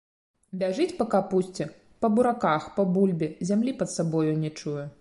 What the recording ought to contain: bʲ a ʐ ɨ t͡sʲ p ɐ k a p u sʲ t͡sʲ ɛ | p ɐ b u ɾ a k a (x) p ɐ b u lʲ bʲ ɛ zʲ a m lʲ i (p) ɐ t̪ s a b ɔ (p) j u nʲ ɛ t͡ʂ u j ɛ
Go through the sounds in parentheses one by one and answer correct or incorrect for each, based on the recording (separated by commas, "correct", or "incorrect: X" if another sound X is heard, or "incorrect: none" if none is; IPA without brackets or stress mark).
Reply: correct, correct, incorrect: none